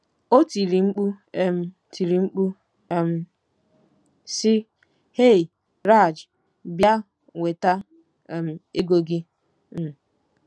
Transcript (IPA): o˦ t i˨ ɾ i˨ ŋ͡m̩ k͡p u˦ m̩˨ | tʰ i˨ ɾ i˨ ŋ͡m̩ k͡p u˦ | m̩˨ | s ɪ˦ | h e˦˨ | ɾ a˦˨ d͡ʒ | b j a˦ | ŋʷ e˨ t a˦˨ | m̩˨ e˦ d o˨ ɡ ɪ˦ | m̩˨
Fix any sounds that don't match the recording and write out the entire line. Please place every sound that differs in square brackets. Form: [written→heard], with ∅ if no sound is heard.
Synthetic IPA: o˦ t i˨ ɾ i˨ ŋ͡m̩ k͡p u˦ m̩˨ | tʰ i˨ ɾ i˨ ŋ͡m̩ k͡p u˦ | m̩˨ | s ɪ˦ | h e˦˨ | ɾ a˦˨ d͡ʒ | b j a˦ | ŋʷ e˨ t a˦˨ | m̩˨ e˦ [d→ɡ] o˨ ɡ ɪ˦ | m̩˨